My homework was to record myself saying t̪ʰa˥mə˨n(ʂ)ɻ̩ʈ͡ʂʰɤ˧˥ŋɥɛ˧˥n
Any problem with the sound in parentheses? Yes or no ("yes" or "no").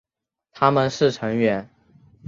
no